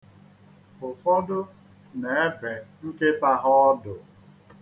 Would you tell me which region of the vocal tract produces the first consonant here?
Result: lips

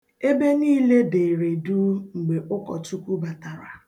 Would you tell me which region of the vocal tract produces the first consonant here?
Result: lips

